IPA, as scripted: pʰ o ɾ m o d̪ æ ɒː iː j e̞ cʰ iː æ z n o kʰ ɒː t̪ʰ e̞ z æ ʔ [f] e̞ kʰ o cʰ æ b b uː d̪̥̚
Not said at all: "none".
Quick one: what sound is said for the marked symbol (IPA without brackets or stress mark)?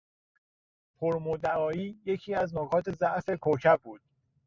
f